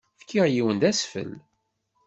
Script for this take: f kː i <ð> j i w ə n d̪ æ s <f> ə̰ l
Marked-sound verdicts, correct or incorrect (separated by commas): incorrect, correct